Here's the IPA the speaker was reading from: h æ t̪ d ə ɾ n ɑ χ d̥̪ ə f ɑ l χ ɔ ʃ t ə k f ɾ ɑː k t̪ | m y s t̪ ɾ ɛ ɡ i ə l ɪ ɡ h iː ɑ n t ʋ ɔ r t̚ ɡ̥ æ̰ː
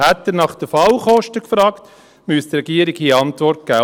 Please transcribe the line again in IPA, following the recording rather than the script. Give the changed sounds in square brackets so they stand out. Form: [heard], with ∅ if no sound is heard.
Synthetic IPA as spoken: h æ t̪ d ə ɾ n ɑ χ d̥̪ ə f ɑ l χ ɔ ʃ t ə k f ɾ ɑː k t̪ | m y s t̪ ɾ ɛ ɡ i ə [ɾ] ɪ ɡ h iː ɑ n t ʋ ɔ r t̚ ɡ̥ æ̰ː